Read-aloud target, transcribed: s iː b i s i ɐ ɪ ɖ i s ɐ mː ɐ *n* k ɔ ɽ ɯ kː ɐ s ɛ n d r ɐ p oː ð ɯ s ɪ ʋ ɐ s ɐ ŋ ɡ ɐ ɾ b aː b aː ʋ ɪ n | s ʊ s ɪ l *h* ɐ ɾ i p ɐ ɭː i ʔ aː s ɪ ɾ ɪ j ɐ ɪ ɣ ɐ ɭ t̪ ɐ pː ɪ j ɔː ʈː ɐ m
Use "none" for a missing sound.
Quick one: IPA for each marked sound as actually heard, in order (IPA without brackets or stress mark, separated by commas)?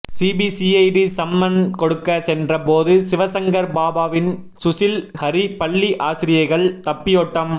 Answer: n, h